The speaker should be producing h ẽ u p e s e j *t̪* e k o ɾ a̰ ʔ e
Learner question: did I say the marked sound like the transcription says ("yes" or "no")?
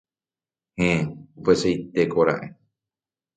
yes